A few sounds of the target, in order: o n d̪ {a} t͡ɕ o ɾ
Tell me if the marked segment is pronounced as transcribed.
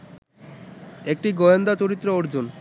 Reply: yes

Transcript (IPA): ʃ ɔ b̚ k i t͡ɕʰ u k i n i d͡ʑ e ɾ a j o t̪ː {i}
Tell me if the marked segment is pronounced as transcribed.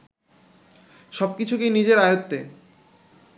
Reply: no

